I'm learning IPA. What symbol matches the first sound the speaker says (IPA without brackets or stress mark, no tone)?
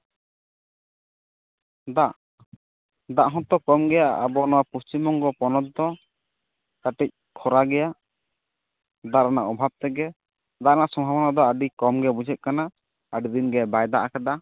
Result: d̪